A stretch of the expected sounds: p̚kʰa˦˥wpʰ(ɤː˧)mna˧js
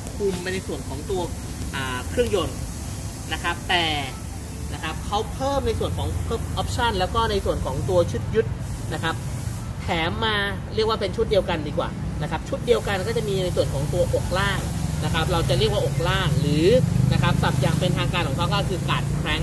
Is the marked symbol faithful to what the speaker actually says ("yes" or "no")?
no